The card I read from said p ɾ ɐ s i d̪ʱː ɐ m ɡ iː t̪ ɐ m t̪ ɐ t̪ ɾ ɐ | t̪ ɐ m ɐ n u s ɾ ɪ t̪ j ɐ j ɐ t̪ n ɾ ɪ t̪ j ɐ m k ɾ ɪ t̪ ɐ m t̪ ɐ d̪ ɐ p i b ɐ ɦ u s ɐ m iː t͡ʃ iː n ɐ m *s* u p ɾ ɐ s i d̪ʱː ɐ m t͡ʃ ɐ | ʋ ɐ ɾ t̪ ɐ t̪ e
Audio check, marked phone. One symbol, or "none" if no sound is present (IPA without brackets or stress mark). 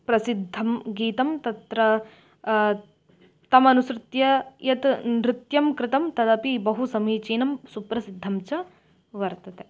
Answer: s